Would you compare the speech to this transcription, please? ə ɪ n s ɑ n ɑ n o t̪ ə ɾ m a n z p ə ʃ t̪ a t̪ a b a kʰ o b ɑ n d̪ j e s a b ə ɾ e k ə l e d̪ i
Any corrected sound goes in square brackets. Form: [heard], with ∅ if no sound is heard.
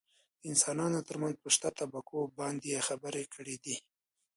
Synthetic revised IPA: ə ɪ n s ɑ n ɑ n o t̪ ə ɾ m a n z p ə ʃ t̪ a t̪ a b a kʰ o b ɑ n d̪ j e [x] a b ə ɾ e k ə [ɽ] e d̪ i